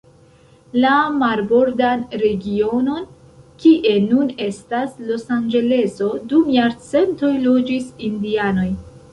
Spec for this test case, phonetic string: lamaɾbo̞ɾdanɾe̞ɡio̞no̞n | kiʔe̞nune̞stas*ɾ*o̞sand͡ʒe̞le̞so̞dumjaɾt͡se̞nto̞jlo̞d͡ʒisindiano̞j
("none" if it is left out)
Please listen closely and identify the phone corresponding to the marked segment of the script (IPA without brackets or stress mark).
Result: l